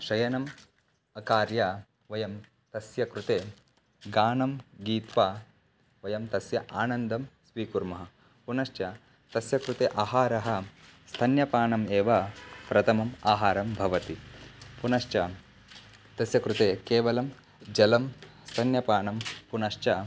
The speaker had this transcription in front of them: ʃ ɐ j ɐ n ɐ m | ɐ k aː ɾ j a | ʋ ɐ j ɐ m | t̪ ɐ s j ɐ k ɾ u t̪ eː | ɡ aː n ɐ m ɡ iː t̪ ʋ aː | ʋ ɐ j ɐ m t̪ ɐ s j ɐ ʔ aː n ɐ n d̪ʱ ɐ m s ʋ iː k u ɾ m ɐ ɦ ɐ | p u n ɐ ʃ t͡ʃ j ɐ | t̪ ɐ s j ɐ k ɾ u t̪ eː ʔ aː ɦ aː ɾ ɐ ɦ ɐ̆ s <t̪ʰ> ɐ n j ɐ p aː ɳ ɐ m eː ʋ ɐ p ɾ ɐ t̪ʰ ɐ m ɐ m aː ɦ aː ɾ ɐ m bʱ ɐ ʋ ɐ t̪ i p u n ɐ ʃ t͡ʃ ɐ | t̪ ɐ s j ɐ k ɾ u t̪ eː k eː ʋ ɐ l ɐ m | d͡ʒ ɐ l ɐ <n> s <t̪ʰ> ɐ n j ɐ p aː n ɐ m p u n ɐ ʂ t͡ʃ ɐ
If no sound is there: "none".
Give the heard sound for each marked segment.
t̪ʰ, m, t̪ʰ

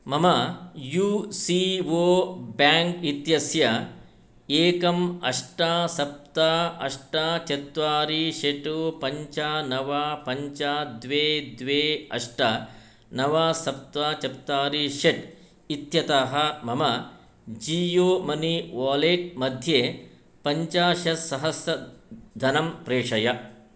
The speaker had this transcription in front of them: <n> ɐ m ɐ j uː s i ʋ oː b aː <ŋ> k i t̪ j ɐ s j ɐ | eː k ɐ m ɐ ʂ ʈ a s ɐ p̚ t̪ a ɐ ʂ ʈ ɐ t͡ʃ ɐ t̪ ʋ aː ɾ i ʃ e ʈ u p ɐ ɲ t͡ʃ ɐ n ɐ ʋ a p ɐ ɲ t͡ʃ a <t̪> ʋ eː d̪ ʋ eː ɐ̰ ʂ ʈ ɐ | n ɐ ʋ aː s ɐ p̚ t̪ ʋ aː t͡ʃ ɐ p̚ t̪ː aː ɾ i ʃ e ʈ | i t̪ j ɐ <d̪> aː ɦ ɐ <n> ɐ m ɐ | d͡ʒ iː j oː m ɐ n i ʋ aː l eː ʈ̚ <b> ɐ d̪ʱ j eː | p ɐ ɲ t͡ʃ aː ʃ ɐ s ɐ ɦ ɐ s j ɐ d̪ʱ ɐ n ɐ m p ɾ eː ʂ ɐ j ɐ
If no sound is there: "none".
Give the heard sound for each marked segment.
m, ŋ, d̪, t̪, m, m

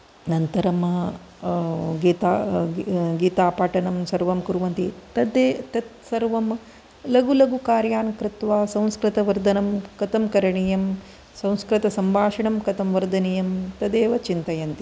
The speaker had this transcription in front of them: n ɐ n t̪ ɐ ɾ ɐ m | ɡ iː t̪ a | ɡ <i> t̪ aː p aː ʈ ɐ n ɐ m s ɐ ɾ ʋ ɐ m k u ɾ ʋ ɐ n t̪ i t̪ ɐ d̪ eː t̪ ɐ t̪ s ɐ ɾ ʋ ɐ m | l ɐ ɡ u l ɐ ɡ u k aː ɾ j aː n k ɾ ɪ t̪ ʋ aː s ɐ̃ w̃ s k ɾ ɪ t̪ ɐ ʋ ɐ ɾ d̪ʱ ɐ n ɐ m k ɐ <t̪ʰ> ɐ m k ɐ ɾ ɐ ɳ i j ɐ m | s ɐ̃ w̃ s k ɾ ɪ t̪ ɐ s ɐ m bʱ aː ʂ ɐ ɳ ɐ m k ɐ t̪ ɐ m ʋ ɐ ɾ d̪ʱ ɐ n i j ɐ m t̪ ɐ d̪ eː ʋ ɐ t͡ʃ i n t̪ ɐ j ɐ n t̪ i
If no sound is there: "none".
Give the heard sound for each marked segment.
iː, t̪

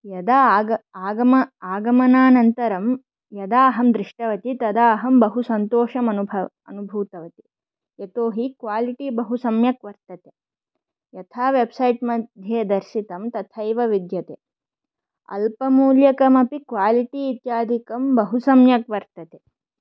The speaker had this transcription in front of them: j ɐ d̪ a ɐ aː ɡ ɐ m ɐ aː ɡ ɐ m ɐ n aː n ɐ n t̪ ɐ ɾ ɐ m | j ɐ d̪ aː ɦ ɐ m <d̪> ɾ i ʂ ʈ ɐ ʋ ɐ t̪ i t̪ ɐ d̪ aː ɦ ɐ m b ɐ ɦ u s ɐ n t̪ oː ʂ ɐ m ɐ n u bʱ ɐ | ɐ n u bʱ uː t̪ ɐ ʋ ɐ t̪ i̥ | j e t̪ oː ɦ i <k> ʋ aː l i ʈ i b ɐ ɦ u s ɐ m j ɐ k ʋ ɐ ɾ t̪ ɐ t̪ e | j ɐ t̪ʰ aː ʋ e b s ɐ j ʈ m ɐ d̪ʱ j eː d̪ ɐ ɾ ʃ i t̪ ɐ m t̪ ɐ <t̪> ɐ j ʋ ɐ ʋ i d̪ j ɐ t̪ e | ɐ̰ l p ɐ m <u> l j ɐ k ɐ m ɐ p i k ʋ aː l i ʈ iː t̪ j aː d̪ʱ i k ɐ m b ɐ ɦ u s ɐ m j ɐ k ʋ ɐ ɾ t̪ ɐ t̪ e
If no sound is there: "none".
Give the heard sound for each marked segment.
d̪, k, t̪ʰ, uː

